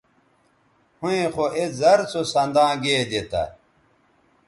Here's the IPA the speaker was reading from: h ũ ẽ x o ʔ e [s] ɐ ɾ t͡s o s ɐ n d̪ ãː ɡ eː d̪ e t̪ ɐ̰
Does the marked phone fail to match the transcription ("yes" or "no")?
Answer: yes